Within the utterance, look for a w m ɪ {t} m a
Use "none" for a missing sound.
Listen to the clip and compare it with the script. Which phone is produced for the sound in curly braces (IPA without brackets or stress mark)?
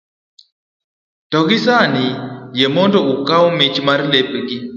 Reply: t͡ʃ